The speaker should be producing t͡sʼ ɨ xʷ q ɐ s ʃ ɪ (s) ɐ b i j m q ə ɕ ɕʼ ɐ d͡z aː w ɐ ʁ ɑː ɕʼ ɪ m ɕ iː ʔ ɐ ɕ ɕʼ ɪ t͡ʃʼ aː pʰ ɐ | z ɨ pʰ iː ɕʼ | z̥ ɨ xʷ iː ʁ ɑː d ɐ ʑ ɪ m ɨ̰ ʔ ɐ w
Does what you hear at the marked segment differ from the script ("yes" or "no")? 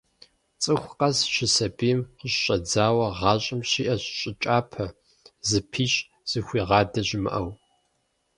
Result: no